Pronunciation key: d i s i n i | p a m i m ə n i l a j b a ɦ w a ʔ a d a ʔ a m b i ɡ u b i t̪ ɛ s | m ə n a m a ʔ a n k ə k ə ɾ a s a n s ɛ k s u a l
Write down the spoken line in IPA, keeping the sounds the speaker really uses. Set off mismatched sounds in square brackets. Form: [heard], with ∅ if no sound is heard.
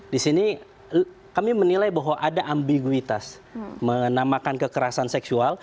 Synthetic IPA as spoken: d i s i n i | [k] a m i m ə n i l a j b a ɦ w a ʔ a d a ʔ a m b i ɡ u [∅] i t̪ [a] s | m ə n a m a [k] a n k ə k ə ɾ a s a n s ɛ k s u a l